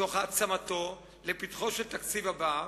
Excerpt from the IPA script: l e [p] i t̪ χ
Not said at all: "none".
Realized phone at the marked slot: p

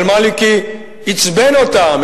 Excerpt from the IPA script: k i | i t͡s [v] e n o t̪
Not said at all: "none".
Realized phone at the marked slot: b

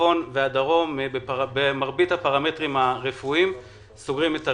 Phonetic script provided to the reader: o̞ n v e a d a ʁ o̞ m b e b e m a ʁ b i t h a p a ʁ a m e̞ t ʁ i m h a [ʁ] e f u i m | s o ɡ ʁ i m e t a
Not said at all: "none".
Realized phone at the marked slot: ʁ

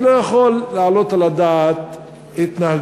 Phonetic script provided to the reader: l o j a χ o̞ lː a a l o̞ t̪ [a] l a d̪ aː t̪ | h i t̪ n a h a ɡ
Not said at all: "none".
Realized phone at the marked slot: a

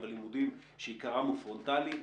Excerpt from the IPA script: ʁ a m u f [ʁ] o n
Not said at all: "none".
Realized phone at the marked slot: ʁ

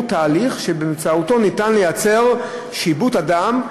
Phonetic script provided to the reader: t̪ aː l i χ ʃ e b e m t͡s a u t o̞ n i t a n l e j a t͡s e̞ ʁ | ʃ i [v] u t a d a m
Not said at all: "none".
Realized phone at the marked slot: b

